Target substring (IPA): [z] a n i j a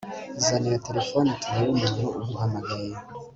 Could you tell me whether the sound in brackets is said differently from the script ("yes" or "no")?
no